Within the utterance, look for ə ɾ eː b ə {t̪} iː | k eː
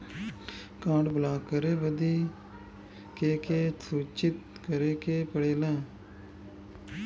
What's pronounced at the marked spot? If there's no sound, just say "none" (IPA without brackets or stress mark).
d̪